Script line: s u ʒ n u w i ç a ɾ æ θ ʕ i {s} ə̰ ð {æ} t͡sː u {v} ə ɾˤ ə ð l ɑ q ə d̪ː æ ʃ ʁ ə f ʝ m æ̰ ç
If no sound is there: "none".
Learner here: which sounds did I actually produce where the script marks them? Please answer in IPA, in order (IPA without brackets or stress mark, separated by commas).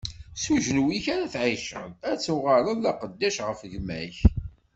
ʃ, æ, ʁ